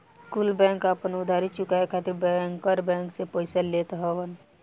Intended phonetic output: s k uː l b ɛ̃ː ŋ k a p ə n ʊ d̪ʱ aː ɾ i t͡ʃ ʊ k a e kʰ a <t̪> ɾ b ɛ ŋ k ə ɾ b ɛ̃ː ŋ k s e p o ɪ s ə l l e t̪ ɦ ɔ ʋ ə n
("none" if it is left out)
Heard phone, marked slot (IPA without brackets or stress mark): t̪